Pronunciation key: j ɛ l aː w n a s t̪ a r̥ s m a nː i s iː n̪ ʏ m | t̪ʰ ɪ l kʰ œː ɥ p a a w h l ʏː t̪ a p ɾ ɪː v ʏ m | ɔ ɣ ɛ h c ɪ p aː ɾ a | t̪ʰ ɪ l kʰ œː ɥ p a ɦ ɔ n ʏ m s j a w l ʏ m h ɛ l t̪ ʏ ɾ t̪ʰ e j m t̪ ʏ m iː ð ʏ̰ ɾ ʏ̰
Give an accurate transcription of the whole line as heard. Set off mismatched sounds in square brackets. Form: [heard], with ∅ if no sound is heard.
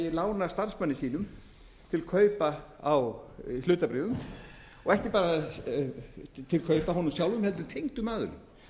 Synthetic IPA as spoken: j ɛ l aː w n a s t̪ a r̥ s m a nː [ɪ] s iː n̪ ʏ m | t̪ʰ ɪ l kʰ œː ɥ p a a w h l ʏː t̪ a p ɾ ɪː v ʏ m | ɔ ɣ ɛ h c ɪ p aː ɾ a | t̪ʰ ɪ l kʰ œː ɥ p a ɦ ɔ n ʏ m s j a w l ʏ m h ɛ l t̪ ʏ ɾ t̪ʰ e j [ŋ] t̪ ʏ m [aː] ð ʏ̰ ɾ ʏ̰